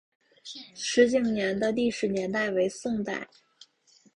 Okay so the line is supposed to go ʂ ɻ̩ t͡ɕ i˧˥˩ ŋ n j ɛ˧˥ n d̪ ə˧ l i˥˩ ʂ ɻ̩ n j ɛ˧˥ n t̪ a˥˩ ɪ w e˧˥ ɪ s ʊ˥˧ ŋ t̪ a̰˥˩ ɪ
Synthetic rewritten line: ʂ ɻ̩ t͡ɕ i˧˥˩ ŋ n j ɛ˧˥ n d̪ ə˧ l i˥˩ ʂ ɻ̩ n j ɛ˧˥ n t̪ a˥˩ ɪ w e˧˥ ɪ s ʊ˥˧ ŋ t̪ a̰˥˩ ɪ